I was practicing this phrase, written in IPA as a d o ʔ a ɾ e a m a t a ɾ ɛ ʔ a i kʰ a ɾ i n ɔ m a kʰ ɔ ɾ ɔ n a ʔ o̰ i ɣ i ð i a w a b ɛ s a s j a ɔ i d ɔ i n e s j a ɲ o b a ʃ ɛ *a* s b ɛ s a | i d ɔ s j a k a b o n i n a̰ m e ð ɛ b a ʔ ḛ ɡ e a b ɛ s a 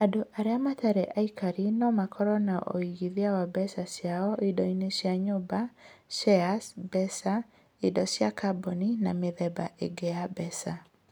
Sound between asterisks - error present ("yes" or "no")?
no